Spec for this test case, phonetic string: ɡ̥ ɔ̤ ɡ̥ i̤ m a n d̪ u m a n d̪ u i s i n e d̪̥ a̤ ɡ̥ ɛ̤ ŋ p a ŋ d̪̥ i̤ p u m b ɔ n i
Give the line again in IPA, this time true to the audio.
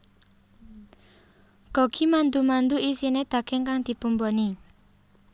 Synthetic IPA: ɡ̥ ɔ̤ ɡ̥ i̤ m a n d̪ u m a n d̪ u i s i n e d̪̥ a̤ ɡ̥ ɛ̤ ŋ k a ŋ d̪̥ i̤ p u m b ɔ n i

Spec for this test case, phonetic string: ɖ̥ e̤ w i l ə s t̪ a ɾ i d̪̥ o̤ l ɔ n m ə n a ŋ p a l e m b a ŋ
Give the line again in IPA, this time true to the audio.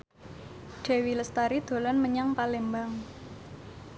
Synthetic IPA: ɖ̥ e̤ w i l ə s t̪ a ɾ i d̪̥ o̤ l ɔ n m ə ɲ a ŋ p a l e m b a ŋ

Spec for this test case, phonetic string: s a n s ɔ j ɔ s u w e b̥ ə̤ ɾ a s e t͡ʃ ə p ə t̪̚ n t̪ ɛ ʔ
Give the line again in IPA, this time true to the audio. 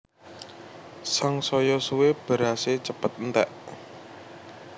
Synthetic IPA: s a ŋ s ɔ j ɔ s u w e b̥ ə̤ ɾ a s e t͡ʃ ə p ə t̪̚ n t̪ ɛ ʔ

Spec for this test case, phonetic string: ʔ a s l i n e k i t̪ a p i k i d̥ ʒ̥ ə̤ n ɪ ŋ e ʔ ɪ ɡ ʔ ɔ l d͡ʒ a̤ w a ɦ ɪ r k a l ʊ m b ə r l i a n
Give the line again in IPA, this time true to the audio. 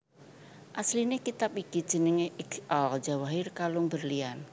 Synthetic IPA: ʔ a s l i n e k i t̪ a p i k i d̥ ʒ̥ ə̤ n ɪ ŋ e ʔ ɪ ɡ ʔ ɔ l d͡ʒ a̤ w a ɦ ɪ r k a l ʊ ŋ b ə r l i a n

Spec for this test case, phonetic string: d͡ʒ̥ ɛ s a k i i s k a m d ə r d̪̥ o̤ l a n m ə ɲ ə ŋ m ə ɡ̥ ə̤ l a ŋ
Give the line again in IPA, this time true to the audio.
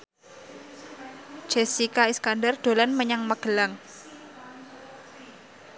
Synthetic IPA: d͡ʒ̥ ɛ s i k a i s k a n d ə r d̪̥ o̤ l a n m ə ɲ a ŋ m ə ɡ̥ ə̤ l a ŋ

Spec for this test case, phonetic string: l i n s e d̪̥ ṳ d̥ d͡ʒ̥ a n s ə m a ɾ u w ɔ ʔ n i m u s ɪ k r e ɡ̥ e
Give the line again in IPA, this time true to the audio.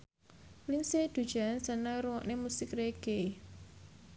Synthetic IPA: l i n s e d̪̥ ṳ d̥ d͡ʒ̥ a n s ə n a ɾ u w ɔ ʔ n e m u s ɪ k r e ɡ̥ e

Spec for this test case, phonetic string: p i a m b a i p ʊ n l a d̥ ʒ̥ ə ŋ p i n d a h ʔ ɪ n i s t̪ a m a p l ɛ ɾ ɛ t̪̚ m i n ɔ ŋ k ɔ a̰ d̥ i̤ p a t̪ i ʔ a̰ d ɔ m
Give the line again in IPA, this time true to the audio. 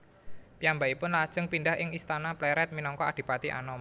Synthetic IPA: p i a m b a i p ʊ n l a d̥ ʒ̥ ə ŋ p i n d a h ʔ ɪ ŋ i s t̪ a n a p l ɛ ɾ ɛ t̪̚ m i n ɔ ŋ k ɔ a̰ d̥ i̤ p a t̪ i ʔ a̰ n ɔ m

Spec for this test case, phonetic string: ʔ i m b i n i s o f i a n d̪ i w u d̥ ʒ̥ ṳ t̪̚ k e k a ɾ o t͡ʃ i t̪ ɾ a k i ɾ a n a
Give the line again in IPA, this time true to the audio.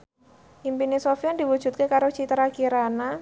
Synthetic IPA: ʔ i m p i n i s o f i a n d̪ i w u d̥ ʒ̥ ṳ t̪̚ k e k a ɾ o t͡ʃ i t̪ ɾ a k i ɾ a n a

